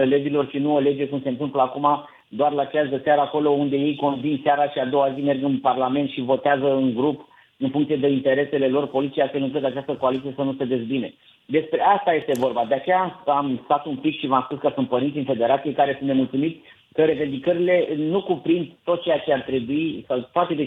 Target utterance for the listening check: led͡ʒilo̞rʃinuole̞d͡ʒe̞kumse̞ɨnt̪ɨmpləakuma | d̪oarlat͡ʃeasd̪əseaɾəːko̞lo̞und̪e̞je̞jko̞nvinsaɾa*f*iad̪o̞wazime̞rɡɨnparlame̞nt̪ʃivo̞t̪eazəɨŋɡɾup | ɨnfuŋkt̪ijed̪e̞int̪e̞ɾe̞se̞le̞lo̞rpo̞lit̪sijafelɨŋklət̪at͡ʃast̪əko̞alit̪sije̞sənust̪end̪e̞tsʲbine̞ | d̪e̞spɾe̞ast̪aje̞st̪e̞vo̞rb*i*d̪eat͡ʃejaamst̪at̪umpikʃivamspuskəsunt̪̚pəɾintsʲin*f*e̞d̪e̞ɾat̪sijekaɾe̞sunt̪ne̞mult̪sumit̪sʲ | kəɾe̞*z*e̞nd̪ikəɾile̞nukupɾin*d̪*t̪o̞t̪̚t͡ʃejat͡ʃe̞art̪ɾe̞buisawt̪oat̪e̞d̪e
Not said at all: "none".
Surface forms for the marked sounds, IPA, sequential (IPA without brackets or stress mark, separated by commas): ʃ, a, f, v, d̪